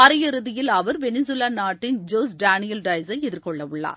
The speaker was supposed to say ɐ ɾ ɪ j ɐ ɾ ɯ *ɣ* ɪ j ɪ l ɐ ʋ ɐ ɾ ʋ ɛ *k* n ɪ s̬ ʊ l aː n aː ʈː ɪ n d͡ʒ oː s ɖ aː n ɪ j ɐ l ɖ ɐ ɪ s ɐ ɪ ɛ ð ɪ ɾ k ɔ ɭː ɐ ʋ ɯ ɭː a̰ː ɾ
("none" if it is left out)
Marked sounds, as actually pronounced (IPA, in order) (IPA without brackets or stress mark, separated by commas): ð, none